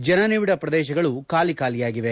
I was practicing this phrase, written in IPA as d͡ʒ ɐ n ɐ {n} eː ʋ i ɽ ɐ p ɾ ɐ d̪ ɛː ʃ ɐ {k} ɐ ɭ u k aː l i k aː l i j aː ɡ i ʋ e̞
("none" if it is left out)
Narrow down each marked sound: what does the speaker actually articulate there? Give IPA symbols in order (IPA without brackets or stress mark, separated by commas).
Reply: n, ɡ